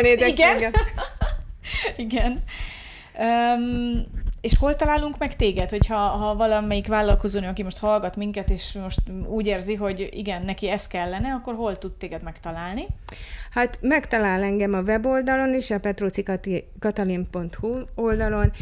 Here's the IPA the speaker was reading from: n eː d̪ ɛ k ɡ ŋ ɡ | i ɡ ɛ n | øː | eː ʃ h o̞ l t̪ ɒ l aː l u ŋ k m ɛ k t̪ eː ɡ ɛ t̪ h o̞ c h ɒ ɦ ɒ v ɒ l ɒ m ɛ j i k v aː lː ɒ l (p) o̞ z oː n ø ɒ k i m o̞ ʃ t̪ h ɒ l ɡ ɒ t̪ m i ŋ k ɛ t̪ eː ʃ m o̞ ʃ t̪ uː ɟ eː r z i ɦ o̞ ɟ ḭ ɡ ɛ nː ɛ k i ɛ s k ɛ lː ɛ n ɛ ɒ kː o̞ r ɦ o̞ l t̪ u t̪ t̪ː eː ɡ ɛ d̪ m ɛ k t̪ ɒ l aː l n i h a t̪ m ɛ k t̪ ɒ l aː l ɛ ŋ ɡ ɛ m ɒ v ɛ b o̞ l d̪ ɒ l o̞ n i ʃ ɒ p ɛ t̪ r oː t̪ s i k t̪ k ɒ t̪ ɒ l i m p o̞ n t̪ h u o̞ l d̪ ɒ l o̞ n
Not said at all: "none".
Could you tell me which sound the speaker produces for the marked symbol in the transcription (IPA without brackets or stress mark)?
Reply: k